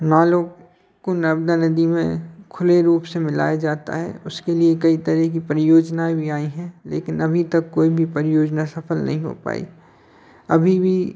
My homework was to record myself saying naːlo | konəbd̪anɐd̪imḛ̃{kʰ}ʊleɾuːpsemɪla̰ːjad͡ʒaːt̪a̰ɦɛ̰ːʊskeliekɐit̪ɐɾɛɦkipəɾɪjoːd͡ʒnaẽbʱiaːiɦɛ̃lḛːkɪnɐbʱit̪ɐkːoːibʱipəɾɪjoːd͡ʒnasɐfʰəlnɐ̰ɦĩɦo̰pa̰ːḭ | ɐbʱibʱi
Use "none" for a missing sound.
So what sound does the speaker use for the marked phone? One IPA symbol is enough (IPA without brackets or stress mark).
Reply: kʰ